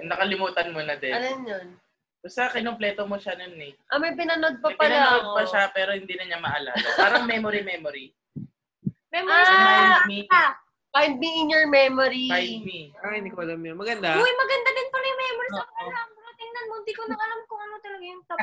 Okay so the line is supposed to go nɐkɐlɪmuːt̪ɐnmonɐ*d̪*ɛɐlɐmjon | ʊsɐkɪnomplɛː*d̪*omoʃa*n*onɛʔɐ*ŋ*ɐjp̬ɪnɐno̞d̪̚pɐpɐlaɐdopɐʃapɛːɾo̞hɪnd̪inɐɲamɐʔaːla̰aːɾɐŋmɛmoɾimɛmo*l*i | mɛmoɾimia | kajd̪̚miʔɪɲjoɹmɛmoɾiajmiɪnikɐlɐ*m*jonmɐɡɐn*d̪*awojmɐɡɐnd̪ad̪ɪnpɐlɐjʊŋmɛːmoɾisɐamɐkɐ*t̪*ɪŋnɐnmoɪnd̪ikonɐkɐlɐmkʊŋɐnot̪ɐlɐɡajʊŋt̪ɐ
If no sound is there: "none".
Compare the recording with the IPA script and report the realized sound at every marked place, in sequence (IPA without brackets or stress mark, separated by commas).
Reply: d̪, t̪, n, m, ɾ, m, d̪, t̪